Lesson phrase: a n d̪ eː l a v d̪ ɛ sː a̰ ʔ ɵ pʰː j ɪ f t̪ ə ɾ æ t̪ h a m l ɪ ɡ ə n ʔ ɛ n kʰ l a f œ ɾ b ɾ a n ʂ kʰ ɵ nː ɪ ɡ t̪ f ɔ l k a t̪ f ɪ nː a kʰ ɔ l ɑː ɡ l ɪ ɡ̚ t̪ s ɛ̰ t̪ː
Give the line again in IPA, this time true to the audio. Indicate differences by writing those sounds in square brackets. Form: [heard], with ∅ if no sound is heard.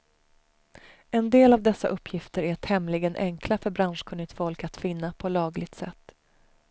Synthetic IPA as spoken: [ɛ] n d̪ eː l a v d̪ ɛ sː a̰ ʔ ɵ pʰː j ɪ f t̪ ə ɾ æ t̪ h [ɛ] m l ɪ ɡ ə n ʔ ɛ [ŋ] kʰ l a f œ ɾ b ɾ a n ʂ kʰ ɵ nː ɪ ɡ t̪ f ɔ l k a t̪ f ɪ nː a [pʰ] ɔ l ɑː ɡ l ɪ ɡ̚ t̪ s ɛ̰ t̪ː

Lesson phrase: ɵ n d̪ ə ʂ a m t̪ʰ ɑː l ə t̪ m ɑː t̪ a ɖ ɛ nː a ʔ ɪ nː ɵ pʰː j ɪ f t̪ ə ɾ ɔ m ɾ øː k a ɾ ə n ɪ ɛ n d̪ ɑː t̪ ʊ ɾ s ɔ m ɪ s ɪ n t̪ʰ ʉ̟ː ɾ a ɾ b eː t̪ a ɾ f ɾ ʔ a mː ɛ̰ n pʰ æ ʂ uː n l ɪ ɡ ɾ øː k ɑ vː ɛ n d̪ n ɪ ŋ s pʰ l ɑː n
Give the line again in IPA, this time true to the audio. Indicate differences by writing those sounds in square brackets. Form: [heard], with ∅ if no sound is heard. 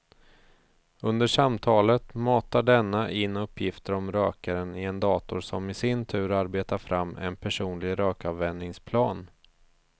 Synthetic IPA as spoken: ɵ n d̪ ə ʂ a m t̪ʰ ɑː l ə t̪ m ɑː t̪ a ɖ ɛ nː a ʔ ɪ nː ɵ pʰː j ɪ f t̪ ə ɾ ɔ m ɾ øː k a ɾ ə n ɪ ɛ n d̪ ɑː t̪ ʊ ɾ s ɔ m ɪ s ɪ n t̪ʰ ʉ̟ː ɾ a ɾ b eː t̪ a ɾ f ɾ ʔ a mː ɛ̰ n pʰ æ ʂ uː n l ɪ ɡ ɾ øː k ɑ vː ɛ n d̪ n ɪ ŋ s pʰ l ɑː n

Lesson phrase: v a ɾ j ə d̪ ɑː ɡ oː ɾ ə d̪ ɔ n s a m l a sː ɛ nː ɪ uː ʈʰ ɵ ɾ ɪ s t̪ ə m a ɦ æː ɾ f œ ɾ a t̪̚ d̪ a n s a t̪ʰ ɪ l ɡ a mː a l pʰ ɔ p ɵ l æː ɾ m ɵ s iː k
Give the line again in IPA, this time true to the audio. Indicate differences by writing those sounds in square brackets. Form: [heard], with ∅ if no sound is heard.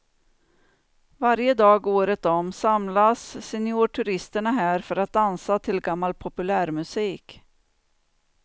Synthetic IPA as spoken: v a ɾ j ə d̪ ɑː ɡ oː ɾ ə [t̪] ɔ [m] s a m l a sː ɛ [n] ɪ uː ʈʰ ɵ ɾ ɪ s t̪ ə [ɳ] a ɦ æː ɾ f œ ɾ a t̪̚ d̪ a n s a t̪ʰ ɪ l ɡ a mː a l pʰ ɔ p ɵ l æː ɾ m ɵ s iː k

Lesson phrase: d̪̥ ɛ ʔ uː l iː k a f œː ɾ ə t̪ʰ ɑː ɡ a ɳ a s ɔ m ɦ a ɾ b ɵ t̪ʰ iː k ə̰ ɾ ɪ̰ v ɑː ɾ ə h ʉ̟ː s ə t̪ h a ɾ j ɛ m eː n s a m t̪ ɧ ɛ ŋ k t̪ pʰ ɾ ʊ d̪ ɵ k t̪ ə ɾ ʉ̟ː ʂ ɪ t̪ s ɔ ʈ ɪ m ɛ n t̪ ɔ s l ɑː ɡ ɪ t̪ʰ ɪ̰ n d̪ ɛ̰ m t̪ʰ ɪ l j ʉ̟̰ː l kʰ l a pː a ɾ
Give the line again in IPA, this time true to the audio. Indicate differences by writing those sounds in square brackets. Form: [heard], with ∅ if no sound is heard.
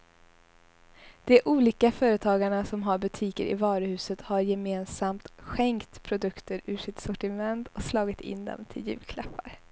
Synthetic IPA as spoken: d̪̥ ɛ ʔ uː l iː k a f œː ɾ ə t̪ʰ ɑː ɡ a ɳ a s ɔ m ɦ a ɾ b ɵ t̪ʰ iː k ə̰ ɾ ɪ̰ v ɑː ɾ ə h ʉ̟ː s ə t̪ h a ɾ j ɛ m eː n s a m t̪ ɧ ɛ ŋ k t̪ pʰ ɾ ʊ d̪ ɵ k t̪ ə ɾ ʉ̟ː ʂ ɪ t̪ s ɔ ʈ ɪ m ɛ n t̪ ɔ s l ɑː ɡ ɪ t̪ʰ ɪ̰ n d̪ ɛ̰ m t̪ʰ ɪ l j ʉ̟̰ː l kʰ l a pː a ɾ

